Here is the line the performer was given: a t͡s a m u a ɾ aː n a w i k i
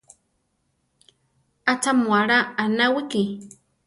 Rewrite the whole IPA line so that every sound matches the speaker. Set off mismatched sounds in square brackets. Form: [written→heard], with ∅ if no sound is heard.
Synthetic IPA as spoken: a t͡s a m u a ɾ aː n a w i k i

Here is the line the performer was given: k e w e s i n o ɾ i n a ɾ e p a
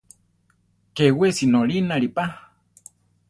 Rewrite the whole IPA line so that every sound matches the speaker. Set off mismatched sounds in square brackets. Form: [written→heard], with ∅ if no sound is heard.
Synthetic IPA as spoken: k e w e s i n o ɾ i n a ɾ [e→i] p a

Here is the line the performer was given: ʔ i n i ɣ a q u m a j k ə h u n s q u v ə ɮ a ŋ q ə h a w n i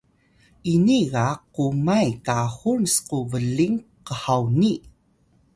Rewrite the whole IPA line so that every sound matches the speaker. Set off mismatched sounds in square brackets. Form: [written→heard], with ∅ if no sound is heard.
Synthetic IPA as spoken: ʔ i n i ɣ a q u m a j k [ə→a] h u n s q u v ə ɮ [a→i] ŋ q ə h a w n i

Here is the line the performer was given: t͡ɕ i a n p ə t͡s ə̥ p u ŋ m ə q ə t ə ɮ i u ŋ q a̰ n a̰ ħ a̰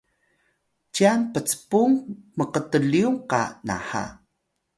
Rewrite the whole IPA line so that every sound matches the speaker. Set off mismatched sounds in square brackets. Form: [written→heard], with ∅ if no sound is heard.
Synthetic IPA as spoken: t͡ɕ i a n p ə t͡s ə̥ p u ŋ m ə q ə t ə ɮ i u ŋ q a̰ n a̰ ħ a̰

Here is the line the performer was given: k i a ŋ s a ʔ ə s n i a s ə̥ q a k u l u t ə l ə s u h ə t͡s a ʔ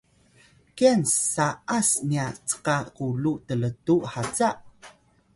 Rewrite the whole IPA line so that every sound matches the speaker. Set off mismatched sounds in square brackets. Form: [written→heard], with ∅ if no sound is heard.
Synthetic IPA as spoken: k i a [ŋ→n] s a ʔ [ə→a] s n i a [s→t͡s] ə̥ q a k u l u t ə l ə [s→t] u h [ə→a] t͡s a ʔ

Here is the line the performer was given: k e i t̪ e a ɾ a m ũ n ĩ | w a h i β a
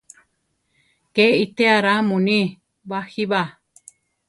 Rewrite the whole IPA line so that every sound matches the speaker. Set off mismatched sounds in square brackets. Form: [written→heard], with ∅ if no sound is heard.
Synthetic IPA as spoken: k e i t̪ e a ɾ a m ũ n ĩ | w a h i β a

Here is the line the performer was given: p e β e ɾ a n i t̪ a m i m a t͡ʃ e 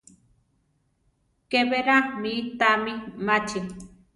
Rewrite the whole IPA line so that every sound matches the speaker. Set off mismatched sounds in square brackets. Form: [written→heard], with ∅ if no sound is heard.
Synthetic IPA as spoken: [p→k] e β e ɾ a [n→m] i t̪ a m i m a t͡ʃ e

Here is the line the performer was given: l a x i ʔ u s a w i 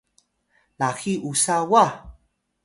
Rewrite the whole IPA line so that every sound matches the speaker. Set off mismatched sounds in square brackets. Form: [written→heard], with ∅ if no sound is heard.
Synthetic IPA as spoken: l a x i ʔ u s a w [i→a]

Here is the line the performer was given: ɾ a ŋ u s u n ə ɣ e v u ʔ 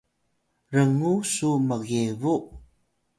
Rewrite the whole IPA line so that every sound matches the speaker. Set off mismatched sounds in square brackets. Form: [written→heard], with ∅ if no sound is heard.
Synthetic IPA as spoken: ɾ [a→ə] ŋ u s u [n→m] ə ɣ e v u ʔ

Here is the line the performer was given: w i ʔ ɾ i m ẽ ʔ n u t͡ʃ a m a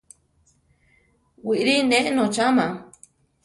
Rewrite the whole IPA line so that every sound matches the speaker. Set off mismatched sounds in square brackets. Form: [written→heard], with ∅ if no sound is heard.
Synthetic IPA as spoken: w i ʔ ɾ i [m→n] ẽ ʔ n [u→o] t͡ʃ a m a

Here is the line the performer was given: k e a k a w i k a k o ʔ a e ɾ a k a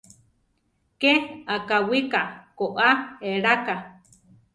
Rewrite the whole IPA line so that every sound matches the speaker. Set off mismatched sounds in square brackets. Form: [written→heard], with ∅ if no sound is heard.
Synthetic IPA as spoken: k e a k a w i k a k o ʔ a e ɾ a k a

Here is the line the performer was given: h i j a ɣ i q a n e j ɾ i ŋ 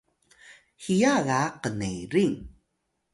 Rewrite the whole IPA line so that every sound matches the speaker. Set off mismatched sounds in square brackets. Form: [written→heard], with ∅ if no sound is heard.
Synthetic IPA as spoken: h i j a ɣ [i→a] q [a→ə] n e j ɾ i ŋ

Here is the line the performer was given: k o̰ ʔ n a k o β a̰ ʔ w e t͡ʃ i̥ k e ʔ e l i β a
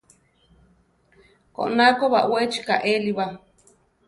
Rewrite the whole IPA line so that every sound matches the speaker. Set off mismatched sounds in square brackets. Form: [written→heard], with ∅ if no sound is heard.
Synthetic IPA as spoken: k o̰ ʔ n a k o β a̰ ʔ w e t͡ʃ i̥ k [e→a] ʔ e l i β a

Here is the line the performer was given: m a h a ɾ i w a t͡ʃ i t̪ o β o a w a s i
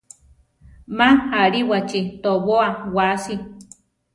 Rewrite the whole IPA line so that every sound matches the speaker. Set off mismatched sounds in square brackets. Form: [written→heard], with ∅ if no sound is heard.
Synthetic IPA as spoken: m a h a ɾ i w a t͡ʃ i t̪ o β o a w a s i

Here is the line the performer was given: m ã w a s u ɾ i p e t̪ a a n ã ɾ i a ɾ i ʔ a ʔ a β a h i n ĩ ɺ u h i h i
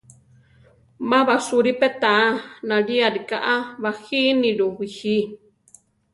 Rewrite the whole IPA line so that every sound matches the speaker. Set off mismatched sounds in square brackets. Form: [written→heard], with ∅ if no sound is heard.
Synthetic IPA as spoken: m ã [w→β] a s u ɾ i p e t̪ a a n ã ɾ i a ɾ i [ʔ→k] a ʔ a β a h i n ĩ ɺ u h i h i

